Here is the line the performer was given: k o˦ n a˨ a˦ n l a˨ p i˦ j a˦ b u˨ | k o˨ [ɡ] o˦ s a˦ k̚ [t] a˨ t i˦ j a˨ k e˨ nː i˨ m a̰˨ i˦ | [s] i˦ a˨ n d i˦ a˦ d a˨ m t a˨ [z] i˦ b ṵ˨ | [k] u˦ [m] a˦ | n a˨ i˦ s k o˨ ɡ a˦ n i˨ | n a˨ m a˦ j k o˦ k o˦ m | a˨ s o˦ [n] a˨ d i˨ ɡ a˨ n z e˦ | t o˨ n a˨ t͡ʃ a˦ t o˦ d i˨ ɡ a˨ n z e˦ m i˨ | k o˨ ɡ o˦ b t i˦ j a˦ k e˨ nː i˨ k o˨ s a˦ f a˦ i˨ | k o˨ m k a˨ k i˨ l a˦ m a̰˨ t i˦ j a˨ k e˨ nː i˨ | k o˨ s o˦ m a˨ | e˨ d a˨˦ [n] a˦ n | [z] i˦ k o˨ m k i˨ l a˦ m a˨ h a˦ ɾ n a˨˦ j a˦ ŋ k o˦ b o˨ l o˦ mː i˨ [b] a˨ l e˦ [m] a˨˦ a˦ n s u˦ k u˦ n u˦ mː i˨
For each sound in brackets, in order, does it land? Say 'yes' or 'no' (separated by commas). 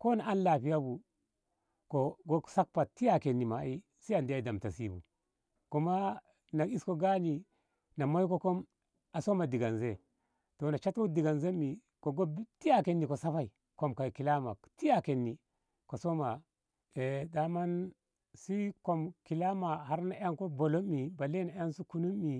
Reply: yes, no, yes, no, yes, yes, no, no, no, yes, no